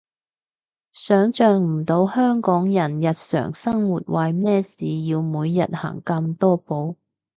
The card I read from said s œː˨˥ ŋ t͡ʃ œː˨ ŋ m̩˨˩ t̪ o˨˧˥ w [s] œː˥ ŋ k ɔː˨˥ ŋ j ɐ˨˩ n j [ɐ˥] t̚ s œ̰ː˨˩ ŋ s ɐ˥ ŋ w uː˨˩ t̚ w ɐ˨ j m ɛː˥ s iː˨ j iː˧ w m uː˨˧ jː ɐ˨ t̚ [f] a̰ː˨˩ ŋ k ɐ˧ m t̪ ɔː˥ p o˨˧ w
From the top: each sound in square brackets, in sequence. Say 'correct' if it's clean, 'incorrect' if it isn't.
incorrect: h, incorrect: ɐ˨, incorrect: h

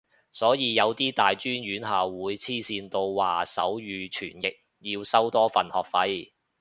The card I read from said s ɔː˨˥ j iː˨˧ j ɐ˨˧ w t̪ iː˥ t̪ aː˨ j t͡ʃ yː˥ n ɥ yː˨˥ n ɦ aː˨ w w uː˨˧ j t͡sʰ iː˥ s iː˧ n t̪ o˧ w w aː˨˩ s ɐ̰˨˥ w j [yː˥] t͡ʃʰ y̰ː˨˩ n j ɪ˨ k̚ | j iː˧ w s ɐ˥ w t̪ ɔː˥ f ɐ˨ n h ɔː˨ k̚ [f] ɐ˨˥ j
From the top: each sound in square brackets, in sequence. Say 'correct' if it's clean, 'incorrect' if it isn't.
incorrect: yː˨˧, correct

